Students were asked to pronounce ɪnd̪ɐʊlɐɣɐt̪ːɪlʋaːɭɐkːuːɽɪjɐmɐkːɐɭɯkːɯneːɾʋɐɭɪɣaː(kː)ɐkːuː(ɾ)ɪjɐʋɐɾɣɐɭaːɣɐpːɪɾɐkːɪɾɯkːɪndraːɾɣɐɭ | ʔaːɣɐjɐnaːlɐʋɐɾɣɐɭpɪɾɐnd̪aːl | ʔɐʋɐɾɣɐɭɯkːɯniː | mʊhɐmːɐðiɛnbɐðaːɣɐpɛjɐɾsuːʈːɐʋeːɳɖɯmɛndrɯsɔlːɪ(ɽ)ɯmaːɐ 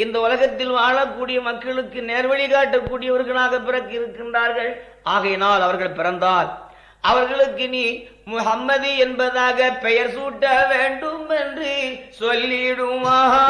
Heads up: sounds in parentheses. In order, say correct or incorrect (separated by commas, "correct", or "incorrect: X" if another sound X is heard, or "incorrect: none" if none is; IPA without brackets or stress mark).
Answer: incorrect: ʈː, incorrect: ɽ, correct